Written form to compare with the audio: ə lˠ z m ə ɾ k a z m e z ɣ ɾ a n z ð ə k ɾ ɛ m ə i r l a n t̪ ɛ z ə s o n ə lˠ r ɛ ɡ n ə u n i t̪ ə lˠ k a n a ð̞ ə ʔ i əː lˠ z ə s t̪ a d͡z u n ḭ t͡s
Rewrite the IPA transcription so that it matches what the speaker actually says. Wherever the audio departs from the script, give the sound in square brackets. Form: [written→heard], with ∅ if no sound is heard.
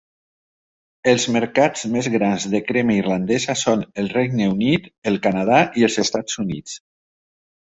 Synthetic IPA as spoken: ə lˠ z m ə ɾ k a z m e z ɣ ɾ a n z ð ə k ɾ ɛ m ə i r l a n [t̪→d̪] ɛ z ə s o n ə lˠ r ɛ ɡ n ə u n i t̪ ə lˠ k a n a ð̞ [ə→a] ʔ i [əː→ə] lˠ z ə s t̪ a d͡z u n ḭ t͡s